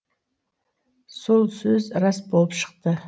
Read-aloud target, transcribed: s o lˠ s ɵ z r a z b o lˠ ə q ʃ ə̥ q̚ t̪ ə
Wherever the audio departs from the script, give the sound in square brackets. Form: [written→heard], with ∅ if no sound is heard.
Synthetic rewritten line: s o lˠ s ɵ z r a [z→s] b o lˠ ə [q→p] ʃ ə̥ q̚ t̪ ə